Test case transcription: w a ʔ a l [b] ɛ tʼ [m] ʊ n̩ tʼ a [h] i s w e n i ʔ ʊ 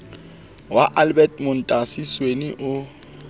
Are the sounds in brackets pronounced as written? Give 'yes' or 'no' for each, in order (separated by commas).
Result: yes, yes, no